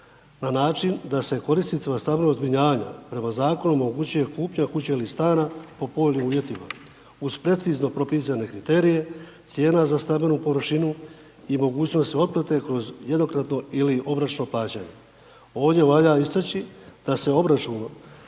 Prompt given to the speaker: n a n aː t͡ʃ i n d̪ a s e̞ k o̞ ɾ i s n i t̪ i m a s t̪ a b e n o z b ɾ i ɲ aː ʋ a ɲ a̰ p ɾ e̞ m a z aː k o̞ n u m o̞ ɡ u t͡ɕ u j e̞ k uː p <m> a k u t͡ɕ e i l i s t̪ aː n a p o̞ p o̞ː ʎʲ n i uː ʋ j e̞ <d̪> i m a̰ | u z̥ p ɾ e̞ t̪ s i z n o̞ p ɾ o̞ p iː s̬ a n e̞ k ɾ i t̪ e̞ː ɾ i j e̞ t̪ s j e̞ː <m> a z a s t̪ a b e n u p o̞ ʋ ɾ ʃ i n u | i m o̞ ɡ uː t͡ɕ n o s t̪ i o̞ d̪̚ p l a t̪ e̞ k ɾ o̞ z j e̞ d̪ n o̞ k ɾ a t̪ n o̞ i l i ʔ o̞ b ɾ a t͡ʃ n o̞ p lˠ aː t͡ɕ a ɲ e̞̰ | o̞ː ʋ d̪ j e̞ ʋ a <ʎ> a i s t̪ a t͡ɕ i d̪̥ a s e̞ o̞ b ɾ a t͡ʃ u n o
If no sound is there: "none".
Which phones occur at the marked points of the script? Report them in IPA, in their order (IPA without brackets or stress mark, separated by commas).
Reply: ɲ, t̪, n, ʎ